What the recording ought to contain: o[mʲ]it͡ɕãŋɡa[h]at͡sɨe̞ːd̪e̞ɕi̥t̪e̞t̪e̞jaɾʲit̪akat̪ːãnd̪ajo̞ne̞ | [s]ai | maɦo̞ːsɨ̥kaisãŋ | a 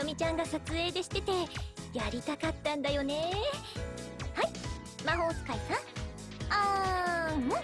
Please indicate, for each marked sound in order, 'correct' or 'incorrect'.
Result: correct, incorrect: s, incorrect: h

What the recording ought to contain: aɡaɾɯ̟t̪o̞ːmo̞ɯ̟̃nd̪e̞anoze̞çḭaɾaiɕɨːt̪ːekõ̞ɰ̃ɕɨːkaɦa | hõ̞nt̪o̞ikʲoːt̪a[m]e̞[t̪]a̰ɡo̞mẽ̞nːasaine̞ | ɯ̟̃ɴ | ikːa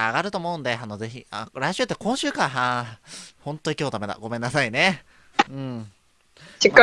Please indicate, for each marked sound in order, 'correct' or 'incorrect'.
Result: correct, incorrect: d̪

